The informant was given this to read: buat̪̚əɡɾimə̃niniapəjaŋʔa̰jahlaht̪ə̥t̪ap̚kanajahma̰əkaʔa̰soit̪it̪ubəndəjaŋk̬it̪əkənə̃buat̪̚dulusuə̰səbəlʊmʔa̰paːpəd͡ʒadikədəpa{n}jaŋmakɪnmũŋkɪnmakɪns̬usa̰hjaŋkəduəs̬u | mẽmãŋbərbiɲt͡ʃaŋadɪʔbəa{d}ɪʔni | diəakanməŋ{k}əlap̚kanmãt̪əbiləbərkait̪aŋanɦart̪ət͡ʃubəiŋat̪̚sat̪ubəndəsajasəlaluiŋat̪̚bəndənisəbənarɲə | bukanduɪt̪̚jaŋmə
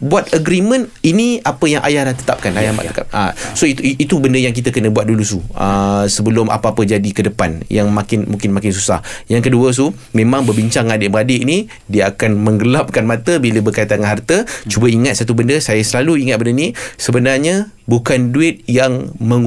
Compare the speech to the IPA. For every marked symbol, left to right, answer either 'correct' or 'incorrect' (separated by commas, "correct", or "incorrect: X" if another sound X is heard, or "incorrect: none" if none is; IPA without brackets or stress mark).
correct, correct, incorrect: ɡ